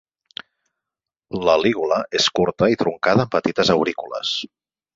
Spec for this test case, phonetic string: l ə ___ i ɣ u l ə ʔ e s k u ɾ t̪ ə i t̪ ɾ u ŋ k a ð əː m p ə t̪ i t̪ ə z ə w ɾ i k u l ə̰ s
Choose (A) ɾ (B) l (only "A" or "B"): B